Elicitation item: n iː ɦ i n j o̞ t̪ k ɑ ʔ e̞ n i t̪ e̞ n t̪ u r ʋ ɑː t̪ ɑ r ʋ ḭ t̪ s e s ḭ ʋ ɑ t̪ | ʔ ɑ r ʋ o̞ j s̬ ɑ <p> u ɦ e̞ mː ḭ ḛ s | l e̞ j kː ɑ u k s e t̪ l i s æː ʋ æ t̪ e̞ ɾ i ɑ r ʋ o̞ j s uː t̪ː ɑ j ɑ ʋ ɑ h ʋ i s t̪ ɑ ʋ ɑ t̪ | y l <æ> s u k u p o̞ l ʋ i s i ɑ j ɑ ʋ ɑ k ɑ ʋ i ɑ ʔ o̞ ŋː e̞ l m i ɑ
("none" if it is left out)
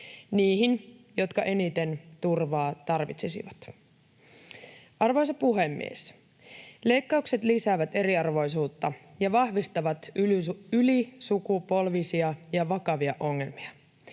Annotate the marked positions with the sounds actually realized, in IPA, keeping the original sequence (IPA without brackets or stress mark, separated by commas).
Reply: p, i